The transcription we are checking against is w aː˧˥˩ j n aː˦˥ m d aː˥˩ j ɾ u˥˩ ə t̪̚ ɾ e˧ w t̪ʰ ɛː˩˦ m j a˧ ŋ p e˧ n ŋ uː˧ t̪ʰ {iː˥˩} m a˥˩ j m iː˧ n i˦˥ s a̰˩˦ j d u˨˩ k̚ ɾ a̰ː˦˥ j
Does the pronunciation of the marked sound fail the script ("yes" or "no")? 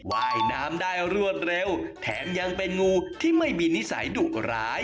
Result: no